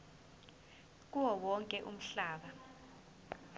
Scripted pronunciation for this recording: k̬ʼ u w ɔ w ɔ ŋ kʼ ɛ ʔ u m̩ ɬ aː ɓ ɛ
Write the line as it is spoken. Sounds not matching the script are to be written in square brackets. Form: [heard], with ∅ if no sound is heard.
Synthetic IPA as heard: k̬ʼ u w ɔ w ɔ ŋ kʼ ɛ ʔ u m̩ ɬ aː ɓ [a]